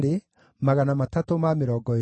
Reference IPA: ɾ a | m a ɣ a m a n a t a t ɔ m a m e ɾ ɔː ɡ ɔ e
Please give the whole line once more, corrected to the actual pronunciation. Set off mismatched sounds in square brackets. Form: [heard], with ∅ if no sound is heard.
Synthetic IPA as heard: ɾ [e] | m a ɣ a [n] a [m] a t a t [o] m a m e ɾ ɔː ɡ ɔ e